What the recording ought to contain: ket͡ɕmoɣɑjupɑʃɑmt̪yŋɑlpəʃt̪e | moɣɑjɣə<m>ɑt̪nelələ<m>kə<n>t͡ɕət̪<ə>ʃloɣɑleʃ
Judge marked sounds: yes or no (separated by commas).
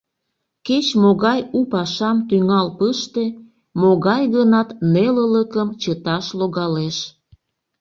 no, no, no, no